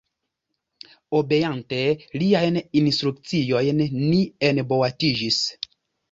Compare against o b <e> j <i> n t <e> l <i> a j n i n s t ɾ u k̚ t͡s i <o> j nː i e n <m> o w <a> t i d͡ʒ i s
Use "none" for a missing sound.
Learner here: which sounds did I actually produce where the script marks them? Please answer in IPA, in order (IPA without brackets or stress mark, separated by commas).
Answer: e, a, e, i, o, b, a